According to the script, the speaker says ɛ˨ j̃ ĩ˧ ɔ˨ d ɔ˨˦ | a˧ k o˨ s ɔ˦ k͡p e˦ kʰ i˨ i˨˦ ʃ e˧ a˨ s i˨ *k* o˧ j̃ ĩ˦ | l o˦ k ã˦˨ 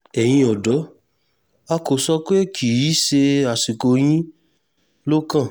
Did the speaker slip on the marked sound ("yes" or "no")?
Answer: no